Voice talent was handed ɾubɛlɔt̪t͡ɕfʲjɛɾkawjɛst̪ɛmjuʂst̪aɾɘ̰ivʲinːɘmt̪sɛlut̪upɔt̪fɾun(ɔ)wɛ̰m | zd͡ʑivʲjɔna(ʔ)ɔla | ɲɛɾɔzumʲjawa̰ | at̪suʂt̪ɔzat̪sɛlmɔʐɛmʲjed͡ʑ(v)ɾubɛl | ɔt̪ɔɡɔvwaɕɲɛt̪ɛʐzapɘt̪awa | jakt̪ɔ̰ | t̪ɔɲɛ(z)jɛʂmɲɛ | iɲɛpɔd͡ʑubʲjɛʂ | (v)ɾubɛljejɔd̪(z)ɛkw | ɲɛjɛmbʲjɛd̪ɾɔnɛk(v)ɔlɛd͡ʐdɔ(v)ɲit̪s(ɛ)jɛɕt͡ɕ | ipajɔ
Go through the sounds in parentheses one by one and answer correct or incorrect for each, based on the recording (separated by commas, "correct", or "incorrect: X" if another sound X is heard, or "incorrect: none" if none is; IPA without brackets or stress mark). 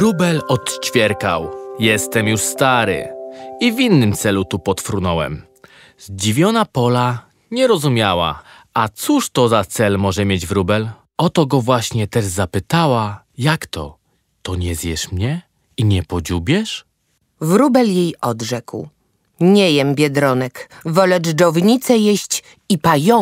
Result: correct, incorrect: p, correct, correct, correct, incorrect: ʐ, correct, correct, correct